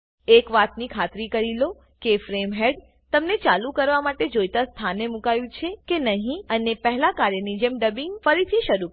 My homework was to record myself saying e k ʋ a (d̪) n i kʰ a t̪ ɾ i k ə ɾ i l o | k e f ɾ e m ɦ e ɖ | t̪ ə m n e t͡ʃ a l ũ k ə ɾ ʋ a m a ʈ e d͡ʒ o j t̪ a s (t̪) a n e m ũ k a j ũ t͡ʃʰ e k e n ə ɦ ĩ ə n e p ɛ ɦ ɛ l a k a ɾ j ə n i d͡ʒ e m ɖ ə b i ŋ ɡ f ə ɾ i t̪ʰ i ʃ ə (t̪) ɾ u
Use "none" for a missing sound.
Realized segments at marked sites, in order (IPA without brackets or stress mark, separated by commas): t̪, t̪ʰ, none